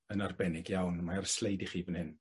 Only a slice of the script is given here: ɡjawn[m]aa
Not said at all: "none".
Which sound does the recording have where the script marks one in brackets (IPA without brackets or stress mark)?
m